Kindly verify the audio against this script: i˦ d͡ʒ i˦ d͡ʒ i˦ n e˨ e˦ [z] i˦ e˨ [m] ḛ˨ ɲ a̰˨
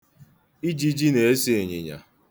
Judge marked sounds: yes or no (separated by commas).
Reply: no, no